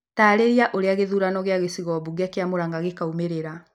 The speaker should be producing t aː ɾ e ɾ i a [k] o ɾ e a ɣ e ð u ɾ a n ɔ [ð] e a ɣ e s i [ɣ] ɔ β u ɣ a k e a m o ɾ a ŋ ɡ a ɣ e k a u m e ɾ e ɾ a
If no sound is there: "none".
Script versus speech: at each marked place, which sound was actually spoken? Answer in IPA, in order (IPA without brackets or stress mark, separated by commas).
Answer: ʔ, ɣ, ɣ